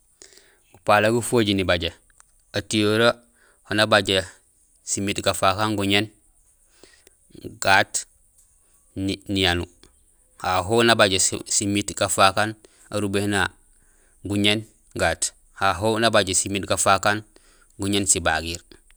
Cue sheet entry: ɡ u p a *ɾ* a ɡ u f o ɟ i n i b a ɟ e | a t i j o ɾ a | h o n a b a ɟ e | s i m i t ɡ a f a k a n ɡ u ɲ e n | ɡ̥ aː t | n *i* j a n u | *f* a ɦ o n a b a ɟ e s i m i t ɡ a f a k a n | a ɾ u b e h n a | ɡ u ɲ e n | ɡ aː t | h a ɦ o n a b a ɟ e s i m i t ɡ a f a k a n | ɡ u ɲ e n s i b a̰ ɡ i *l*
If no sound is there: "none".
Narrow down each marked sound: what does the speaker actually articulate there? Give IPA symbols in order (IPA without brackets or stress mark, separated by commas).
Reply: l, i, h, ɾ